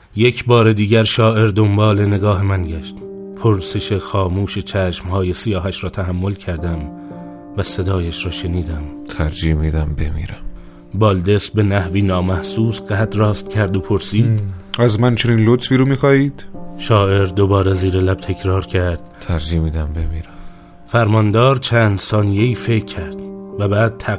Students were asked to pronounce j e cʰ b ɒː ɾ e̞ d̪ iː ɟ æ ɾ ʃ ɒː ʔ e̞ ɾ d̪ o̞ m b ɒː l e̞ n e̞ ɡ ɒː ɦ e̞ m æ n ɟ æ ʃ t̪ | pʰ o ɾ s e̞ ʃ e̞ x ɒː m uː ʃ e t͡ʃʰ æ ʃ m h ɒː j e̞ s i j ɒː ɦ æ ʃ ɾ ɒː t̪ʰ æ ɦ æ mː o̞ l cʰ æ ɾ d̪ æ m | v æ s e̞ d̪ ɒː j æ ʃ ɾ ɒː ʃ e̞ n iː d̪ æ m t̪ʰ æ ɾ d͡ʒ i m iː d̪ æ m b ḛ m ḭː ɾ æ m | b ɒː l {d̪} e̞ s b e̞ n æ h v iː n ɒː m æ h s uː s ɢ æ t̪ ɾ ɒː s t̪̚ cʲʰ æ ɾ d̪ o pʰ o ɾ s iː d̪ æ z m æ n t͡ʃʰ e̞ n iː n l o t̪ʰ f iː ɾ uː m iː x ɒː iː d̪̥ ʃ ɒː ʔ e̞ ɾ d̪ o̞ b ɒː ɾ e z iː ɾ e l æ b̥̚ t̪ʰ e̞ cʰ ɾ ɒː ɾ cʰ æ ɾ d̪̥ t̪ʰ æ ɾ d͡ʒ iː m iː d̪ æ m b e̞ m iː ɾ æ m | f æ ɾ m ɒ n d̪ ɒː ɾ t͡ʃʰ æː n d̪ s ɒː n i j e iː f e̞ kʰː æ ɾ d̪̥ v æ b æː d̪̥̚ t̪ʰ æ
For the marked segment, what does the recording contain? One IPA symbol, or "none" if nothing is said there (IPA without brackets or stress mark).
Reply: d̪